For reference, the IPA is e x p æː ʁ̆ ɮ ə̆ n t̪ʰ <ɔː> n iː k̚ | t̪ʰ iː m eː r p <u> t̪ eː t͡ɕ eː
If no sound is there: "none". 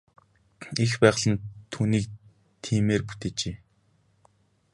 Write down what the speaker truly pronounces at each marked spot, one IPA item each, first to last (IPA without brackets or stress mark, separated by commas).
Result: uː, u